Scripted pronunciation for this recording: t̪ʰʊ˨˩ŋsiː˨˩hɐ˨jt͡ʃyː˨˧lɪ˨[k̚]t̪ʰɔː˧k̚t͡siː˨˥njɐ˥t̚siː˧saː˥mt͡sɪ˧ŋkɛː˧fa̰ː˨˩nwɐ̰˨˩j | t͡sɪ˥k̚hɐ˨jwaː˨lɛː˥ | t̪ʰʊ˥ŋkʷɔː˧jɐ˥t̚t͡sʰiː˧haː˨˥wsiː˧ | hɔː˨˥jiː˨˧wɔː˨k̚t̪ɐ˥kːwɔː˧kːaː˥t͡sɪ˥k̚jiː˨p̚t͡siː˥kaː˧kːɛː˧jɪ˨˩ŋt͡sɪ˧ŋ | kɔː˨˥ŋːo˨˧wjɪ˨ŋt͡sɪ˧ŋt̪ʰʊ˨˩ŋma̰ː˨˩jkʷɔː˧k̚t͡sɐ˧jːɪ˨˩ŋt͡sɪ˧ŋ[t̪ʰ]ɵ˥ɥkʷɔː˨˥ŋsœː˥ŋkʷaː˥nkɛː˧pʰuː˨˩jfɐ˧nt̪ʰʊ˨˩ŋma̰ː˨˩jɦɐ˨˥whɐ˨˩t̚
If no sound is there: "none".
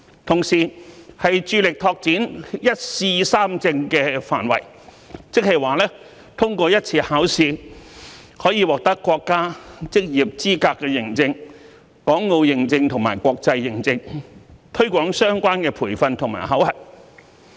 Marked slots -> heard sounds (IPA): k̚, t̪ʰ

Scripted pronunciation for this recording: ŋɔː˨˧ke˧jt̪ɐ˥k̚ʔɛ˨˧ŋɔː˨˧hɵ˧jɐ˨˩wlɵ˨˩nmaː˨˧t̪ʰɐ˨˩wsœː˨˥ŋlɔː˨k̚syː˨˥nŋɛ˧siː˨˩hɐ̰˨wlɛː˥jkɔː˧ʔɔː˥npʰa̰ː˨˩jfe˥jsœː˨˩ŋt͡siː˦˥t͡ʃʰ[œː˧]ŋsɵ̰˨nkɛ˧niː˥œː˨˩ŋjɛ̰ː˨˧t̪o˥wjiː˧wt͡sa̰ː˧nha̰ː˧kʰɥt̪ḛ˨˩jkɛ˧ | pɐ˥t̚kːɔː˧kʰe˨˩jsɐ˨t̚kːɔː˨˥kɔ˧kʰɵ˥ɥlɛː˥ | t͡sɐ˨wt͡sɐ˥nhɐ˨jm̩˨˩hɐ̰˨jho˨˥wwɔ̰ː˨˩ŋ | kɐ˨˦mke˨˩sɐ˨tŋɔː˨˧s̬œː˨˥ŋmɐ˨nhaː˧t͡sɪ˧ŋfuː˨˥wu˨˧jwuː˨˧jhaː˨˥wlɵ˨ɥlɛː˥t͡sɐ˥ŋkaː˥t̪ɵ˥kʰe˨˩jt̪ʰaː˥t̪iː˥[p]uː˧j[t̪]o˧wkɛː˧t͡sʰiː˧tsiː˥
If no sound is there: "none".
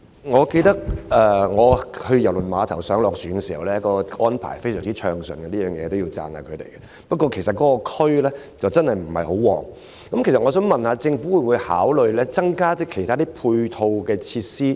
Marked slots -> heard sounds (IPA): œː˧, pʰ, t̪ʰ

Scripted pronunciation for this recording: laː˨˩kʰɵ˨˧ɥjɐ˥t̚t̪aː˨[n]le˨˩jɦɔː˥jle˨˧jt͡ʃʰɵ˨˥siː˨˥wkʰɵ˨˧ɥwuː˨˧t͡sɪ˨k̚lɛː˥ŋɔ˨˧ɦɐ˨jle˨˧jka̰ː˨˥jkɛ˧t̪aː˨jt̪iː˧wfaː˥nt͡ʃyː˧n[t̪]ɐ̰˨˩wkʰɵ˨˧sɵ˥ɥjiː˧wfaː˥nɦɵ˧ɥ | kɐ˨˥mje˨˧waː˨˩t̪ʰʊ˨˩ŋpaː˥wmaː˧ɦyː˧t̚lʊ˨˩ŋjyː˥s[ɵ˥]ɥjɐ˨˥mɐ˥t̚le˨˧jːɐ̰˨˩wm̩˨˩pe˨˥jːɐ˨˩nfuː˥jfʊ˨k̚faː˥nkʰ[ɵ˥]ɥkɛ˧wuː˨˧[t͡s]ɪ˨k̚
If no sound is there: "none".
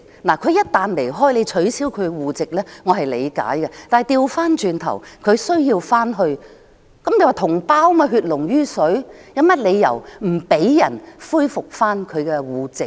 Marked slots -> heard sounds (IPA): n, t̪ʰ, ɵ˨˥, ɵ˨˧, t͡s

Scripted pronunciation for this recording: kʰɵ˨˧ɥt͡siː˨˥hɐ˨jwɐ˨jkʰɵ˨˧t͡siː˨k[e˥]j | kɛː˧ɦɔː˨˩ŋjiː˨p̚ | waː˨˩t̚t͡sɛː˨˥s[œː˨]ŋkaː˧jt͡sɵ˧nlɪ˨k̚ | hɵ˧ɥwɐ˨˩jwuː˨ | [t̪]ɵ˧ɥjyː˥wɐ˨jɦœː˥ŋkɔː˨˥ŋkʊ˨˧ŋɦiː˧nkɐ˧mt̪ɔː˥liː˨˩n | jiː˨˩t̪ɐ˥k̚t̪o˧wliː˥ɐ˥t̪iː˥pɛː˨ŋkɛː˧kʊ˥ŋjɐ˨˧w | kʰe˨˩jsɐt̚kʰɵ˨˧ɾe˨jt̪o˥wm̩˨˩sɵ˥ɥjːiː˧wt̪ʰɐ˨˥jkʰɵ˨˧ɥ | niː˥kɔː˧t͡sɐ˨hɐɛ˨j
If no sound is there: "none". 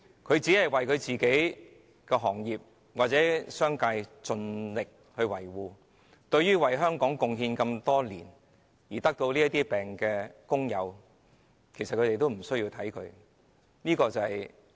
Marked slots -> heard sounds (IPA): e˨˥, œː˥, t̪

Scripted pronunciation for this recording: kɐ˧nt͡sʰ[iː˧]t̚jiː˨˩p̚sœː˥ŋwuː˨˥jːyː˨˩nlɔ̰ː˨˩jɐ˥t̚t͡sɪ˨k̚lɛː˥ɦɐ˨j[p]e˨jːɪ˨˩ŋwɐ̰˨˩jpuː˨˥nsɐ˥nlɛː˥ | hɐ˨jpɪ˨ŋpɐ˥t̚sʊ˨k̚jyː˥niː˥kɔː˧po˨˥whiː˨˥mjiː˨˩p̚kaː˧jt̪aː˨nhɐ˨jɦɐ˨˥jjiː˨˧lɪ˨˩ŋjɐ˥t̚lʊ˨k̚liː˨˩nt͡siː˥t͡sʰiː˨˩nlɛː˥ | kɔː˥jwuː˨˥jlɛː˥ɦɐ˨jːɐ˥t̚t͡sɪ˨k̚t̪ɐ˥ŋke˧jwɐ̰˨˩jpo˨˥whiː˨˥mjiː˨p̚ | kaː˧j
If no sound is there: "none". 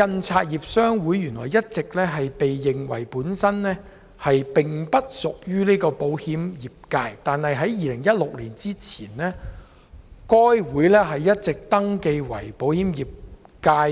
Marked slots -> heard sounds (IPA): aː˧, p

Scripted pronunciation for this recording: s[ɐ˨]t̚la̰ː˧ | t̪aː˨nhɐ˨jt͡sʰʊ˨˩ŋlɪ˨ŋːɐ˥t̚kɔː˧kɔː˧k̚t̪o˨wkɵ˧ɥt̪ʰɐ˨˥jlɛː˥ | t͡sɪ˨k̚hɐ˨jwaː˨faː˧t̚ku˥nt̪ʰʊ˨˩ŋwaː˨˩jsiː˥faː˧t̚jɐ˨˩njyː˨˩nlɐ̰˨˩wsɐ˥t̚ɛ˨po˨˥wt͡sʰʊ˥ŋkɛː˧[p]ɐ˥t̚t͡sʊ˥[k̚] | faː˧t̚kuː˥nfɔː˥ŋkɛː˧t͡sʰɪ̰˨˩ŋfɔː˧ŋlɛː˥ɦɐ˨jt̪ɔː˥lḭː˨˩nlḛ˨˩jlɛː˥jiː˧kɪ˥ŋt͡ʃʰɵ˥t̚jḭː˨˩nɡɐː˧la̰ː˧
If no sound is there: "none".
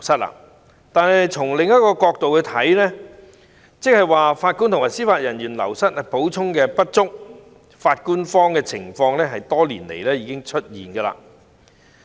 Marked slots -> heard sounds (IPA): ɐ˥, p, k̚

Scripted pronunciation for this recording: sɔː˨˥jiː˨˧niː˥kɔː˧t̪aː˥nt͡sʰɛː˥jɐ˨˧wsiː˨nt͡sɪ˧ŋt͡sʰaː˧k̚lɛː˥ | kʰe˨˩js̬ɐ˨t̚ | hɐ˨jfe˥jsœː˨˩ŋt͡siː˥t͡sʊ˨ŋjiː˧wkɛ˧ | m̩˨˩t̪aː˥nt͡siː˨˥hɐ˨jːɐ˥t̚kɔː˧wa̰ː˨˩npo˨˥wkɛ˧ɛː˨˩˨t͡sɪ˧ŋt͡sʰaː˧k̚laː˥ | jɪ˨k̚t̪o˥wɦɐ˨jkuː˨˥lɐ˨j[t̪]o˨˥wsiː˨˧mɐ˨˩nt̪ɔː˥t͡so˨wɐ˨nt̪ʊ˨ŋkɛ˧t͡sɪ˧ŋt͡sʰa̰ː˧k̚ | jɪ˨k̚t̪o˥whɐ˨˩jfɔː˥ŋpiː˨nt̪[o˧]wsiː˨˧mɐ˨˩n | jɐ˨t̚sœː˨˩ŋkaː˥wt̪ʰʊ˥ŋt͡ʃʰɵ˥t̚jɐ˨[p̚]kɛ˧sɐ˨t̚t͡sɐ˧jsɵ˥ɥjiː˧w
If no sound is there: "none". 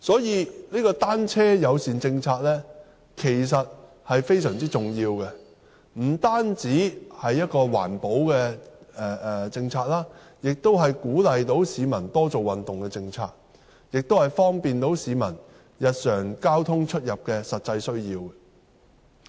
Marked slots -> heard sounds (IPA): t̪, o˨˥, p̚

